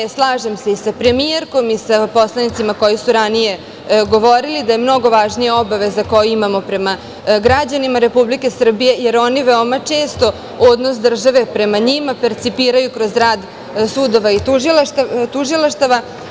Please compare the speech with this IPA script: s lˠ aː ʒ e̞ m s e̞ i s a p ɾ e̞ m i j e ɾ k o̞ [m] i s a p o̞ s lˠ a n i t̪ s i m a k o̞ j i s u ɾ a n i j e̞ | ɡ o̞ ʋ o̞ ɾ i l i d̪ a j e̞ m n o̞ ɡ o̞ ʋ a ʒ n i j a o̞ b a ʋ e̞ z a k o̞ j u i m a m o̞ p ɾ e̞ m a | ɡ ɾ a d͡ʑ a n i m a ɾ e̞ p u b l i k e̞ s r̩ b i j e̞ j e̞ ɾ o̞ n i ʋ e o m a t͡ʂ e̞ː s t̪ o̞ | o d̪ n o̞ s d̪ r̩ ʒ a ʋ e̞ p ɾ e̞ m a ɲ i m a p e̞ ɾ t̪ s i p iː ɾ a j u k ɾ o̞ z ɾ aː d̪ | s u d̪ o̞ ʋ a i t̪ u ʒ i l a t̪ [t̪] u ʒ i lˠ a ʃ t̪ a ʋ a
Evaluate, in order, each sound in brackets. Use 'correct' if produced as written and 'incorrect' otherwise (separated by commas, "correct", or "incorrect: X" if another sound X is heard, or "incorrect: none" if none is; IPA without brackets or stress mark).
correct, correct